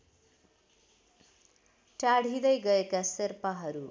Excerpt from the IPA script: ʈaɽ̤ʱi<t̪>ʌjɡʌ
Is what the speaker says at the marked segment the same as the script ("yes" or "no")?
no